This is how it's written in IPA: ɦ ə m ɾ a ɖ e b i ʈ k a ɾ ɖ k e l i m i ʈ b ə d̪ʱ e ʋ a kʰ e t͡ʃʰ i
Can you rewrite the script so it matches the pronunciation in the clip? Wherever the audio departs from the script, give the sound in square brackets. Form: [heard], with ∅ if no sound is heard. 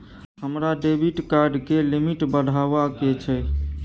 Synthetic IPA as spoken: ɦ ə m ɾ a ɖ e b i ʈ k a ɾ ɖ k e l i m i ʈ b ə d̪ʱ [a] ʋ a [k] e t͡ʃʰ [ɛ]